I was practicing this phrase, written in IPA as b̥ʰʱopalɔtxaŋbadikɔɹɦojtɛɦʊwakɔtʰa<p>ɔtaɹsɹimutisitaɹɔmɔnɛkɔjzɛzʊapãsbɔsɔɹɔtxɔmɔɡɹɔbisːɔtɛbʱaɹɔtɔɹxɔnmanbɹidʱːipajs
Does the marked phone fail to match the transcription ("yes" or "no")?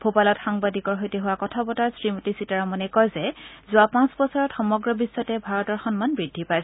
yes